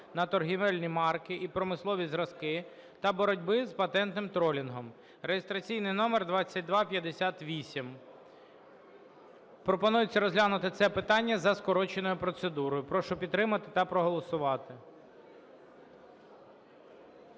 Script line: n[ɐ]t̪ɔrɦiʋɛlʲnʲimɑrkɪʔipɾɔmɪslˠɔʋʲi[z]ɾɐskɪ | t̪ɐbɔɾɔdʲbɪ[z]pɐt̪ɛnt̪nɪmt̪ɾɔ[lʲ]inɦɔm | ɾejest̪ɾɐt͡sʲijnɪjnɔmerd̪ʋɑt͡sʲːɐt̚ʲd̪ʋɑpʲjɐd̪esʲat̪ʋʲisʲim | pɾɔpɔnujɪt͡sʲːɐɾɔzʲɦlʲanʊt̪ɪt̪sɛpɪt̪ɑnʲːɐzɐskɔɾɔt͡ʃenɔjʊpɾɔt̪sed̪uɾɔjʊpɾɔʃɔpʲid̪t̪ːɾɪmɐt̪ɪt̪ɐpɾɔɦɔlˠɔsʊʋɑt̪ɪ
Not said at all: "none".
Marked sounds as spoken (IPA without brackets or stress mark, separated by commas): ɐ, z, z, lʲ